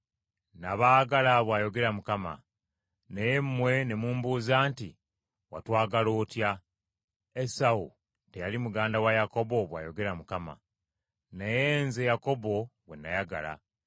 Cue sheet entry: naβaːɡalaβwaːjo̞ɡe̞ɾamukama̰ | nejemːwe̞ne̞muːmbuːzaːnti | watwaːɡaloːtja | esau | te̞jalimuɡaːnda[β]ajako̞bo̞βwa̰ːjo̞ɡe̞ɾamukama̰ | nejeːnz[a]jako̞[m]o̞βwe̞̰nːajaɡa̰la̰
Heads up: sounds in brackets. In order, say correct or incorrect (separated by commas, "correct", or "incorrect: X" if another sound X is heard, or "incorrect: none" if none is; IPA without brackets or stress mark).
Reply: incorrect: w, incorrect: e, incorrect: b